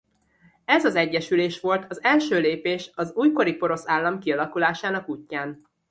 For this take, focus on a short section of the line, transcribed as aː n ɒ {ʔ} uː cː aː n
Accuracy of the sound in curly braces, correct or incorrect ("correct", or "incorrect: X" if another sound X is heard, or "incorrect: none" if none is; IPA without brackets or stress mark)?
incorrect: k